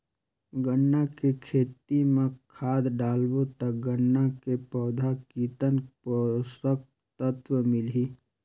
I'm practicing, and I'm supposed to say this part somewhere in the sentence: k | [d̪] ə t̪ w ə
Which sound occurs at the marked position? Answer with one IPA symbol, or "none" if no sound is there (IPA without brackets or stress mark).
t̪